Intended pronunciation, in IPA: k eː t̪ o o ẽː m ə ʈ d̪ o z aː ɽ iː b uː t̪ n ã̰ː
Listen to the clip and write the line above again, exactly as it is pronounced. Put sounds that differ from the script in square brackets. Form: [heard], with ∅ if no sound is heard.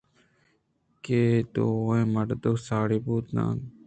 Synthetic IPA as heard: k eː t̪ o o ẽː m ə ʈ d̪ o [s] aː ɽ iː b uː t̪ n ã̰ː